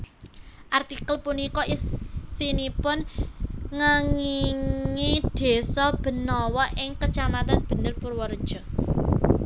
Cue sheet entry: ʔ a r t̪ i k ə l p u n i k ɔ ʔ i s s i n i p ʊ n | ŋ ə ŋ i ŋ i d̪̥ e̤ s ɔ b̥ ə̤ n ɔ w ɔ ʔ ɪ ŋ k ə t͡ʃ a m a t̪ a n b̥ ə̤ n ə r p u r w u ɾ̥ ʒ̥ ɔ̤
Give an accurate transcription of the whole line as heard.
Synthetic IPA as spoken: ʔ a r t̪ i k ə l p u n i k ɔ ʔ i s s i n i p ʊ n | ŋ ə ŋ i ŋ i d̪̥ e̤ s ɔ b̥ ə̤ n ɔ w ɔ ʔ ɪ ŋ k ə t͡ʃ a m a t̪ a n b̥ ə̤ n ə r p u r w ɔ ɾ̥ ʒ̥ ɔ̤